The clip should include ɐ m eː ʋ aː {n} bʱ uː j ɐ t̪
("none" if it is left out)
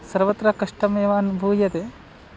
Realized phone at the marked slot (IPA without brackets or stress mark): n